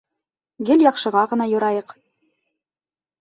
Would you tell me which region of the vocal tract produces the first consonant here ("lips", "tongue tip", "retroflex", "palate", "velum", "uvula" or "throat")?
velum